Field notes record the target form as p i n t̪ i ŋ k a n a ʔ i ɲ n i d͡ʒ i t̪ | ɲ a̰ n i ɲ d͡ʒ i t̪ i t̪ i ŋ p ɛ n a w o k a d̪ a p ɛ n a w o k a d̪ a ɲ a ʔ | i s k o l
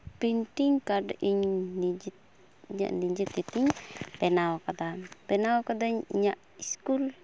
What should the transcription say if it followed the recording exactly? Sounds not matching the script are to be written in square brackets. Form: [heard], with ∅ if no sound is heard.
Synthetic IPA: p i n t̪ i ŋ k a [d] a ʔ i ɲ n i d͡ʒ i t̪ | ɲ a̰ n i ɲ d͡ʒ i t̪ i t̪ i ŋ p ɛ n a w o k a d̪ a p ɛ n a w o k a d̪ a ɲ a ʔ | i s k [u] l

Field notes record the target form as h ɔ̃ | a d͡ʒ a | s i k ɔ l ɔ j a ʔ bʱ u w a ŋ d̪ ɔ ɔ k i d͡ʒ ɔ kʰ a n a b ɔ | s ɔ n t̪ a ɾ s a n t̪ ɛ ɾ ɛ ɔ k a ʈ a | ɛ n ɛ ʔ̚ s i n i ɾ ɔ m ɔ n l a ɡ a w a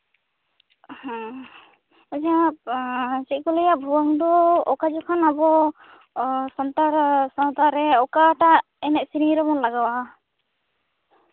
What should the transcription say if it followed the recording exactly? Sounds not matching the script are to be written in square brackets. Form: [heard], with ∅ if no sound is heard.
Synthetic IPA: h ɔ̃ | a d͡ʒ a | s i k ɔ l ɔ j a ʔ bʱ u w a ŋ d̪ ɔ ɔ k [a] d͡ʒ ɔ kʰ a n a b ɔ | s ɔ n t̪ a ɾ s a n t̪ [a] ɾ ɛ ɔ k a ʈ a | ɛ n ɛ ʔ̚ s i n i ɾ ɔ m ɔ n l a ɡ a w a

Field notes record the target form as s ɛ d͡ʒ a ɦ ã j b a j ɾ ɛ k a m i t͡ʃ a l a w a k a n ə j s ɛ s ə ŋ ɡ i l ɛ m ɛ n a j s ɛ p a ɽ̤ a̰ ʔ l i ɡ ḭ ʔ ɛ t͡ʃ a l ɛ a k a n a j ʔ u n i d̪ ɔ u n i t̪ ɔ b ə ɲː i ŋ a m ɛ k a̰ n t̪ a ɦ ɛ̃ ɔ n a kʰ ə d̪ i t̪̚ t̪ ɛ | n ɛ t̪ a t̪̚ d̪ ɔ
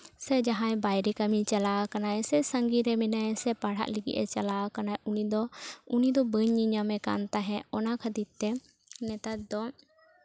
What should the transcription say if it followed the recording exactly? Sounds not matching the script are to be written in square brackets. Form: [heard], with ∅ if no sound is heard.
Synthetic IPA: s ɛ d͡ʒ a ɦ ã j b a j ɾ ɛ k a m i t͡ʃ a l a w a k a n [a] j s ɛ s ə ŋ ɡ i [ɾ] ɛ m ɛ n a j s ɛ p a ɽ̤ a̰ ʔ l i ɡ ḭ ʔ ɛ t͡ʃ a l [a] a k a n a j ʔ u n i d̪ ɔ u n i [d̪] ɔ b ə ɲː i [ɲ] a m ɛ k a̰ n t̪ a ɦ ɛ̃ ɔ n a kʰ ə d̪ i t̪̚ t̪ ɛ | n ɛ t̪ a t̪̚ d̪ ɔ

